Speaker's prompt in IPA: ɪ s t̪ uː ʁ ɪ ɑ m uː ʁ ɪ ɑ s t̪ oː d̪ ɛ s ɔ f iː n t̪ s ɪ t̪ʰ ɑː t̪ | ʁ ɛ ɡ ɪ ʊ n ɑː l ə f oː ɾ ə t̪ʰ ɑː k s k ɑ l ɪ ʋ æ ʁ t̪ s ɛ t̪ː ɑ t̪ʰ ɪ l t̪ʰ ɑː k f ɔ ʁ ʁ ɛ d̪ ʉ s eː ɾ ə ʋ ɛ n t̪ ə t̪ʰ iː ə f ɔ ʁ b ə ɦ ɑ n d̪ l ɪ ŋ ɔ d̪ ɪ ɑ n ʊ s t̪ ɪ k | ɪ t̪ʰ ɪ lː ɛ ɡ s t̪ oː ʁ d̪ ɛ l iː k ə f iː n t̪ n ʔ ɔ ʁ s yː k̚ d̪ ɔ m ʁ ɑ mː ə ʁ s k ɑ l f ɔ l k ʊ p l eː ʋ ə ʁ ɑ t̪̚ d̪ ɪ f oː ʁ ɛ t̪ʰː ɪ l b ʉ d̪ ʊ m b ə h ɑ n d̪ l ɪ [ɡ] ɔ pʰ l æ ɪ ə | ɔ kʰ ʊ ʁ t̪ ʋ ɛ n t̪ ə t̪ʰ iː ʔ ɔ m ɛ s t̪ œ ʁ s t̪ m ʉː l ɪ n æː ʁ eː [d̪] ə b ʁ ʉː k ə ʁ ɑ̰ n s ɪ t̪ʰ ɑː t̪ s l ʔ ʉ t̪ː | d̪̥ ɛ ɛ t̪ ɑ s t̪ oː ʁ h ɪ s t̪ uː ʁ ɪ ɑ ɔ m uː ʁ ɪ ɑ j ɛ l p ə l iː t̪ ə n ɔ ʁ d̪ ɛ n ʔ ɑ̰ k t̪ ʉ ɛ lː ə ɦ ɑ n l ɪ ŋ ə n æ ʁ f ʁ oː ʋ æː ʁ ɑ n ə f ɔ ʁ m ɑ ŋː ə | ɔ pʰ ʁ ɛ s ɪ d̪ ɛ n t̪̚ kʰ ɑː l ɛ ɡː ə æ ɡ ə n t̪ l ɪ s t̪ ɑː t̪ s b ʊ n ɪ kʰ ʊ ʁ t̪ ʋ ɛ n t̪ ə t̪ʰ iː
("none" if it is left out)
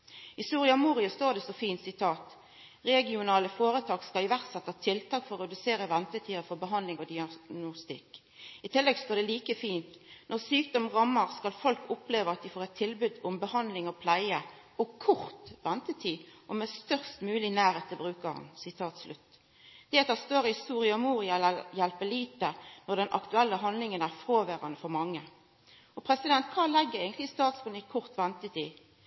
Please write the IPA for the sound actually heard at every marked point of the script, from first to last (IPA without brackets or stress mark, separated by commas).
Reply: ŋ, t̪